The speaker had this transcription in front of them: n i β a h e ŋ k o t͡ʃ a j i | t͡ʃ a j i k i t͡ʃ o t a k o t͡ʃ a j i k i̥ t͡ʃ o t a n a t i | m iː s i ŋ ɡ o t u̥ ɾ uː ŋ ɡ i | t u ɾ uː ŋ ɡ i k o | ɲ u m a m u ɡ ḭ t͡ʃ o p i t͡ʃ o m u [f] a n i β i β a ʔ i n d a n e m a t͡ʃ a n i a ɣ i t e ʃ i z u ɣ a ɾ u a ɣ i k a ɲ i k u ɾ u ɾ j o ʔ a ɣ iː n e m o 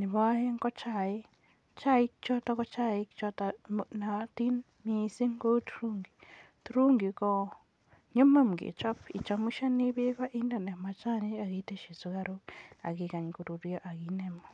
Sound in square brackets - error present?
yes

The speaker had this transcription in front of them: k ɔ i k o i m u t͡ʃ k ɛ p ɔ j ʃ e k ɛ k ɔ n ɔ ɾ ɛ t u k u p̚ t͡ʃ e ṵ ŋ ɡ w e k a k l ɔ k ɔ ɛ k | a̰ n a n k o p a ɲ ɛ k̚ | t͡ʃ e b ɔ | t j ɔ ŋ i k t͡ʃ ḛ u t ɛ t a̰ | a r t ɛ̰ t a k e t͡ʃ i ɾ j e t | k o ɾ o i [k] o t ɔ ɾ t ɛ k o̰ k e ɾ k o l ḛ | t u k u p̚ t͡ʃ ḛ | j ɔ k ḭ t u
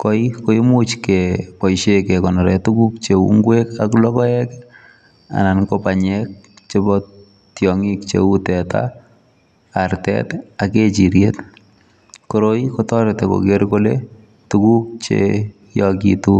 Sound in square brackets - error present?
no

